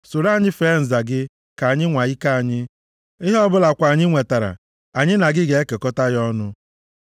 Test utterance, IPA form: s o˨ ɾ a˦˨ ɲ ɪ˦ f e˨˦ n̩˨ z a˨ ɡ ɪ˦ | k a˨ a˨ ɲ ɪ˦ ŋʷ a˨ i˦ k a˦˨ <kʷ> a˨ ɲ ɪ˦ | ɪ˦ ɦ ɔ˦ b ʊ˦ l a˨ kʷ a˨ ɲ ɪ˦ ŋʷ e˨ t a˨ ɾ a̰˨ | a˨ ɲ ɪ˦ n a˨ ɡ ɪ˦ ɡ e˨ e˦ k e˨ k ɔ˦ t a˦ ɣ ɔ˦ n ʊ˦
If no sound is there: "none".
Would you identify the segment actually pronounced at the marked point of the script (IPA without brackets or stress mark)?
none